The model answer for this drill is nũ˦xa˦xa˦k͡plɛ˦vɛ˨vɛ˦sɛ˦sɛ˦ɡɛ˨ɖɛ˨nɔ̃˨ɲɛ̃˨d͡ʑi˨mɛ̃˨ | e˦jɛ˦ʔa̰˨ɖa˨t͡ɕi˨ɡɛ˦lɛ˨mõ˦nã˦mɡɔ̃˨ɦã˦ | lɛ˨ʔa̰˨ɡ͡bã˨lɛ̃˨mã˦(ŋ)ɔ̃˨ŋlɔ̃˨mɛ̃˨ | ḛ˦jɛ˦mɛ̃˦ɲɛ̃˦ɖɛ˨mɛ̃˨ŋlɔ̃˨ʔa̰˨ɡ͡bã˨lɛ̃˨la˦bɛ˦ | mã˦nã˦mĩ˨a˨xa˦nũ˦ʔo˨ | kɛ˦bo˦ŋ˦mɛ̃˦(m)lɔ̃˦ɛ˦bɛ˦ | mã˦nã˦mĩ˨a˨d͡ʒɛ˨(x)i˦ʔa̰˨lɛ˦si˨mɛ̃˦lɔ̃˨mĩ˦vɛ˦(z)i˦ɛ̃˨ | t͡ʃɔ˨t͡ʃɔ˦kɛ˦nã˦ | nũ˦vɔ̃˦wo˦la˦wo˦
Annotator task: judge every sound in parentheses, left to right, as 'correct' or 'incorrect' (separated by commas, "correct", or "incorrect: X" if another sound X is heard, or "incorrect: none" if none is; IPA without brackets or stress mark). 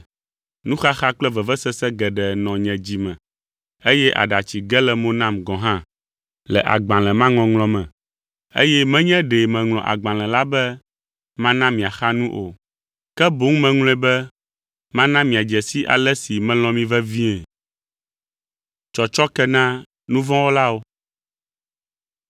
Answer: correct, incorrect: ŋ, incorrect: s, incorrect: v